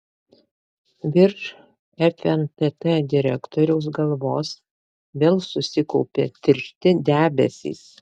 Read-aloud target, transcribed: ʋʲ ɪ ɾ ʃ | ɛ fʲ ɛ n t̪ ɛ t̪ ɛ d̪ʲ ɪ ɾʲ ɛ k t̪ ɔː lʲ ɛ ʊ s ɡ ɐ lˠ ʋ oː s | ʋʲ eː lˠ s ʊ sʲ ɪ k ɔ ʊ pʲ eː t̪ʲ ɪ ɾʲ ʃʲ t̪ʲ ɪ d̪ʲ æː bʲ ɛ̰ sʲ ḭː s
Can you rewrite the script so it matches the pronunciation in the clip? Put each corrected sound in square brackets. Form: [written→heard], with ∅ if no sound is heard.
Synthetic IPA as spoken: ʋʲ ɪ ɾ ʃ | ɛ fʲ ɛ n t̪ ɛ t̪ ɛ d̪ʲ ɪ ɾʲ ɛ k t̪ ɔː [lʲ→ɾʲ] ɛ ʊ s ɡ ɐ lˠ ʋ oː s | ʋʲ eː lˠ s ʊ sʲ ɪ k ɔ ʊ pʲ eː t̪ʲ ɪ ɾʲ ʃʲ t̪ʲ ɪ d̪ʲ æː bʲ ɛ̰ sʲ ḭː s